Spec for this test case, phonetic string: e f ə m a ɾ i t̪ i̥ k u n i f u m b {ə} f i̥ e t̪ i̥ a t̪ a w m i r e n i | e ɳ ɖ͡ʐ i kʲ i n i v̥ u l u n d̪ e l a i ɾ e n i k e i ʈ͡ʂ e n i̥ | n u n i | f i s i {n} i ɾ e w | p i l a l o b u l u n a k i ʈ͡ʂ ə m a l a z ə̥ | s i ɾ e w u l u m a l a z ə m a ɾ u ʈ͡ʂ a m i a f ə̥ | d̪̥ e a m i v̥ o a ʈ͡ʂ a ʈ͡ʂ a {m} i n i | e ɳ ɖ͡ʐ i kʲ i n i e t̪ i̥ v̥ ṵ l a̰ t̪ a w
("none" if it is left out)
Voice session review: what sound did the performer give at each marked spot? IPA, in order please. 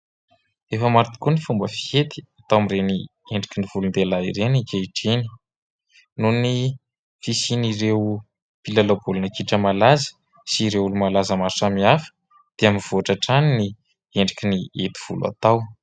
ə, n, n

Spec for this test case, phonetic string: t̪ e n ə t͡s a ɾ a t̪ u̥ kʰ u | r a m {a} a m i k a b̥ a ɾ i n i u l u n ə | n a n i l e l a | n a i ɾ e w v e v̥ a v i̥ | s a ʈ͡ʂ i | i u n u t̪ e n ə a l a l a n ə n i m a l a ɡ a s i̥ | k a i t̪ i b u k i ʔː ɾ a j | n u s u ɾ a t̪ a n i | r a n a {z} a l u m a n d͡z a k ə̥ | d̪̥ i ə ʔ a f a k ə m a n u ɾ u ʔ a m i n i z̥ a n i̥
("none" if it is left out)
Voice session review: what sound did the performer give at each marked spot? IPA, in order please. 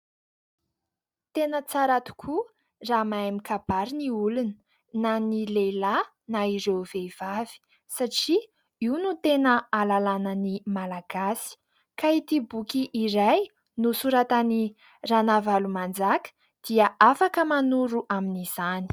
a, v

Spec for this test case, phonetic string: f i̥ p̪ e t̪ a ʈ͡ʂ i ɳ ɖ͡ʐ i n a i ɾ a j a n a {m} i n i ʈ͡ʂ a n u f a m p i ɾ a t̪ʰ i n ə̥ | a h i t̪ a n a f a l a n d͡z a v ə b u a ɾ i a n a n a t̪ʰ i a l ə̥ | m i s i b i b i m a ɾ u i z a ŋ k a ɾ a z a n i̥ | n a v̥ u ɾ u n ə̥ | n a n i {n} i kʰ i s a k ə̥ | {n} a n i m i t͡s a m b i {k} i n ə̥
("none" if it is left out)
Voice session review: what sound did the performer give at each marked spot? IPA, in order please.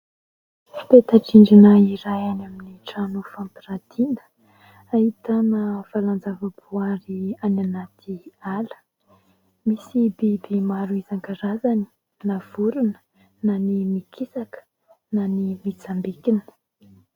m, m, n, k

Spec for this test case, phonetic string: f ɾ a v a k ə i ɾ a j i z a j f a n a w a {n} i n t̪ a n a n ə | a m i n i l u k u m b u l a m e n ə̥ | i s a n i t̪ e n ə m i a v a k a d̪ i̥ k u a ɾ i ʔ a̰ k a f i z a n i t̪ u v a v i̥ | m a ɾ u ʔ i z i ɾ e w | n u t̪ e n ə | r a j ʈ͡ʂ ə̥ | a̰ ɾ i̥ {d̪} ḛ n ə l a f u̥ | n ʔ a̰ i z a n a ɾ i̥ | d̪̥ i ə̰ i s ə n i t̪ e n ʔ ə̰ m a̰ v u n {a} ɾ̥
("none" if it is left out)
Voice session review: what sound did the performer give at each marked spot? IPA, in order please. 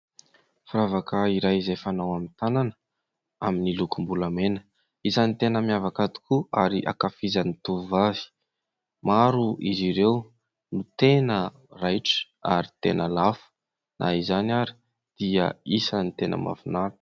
m, t̪, a

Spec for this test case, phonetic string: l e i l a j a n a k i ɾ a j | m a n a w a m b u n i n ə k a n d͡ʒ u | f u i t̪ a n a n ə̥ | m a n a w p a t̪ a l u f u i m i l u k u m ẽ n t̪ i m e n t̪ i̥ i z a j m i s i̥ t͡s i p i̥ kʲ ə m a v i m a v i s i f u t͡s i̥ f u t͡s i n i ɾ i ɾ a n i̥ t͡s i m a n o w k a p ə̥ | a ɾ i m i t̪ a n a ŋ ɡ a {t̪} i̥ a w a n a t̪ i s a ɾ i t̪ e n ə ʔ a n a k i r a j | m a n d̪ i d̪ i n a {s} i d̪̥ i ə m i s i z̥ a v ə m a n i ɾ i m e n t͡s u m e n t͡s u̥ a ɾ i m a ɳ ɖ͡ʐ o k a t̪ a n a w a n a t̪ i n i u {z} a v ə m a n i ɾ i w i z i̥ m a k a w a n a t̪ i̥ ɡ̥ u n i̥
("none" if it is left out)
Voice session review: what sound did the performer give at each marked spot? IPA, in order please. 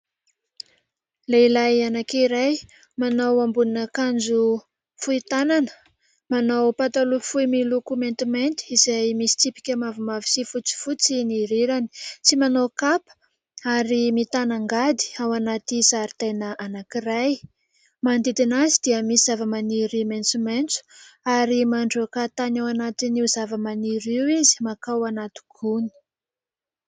d̪, z, z

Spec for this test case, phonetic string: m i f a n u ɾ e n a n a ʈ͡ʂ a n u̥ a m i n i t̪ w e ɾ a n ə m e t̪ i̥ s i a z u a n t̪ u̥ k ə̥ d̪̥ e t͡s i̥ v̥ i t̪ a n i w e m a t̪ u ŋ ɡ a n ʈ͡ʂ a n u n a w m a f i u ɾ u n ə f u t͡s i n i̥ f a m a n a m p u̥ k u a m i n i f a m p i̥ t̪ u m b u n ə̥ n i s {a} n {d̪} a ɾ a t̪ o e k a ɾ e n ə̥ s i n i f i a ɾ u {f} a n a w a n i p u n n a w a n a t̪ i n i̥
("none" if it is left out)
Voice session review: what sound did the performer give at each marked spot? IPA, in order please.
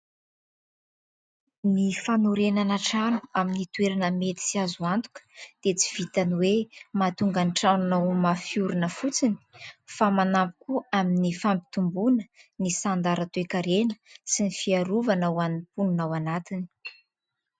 a, d̪, v

